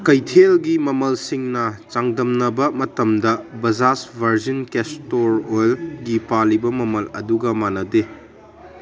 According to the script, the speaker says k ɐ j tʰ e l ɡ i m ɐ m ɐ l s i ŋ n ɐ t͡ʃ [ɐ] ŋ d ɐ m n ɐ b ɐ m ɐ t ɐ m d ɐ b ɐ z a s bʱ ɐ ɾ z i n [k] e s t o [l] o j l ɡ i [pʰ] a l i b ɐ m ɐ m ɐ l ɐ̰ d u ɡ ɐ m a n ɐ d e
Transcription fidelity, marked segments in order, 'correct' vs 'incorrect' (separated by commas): incorrect, correct, incorrect, incorrect